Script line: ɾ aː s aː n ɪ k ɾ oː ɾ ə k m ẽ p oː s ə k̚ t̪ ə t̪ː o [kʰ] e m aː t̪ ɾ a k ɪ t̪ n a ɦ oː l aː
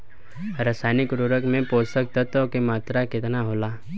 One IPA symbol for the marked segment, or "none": k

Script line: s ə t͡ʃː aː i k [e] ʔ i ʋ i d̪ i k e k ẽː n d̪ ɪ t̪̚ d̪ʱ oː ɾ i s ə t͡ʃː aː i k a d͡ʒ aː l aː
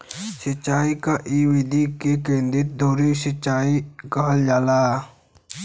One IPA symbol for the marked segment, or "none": a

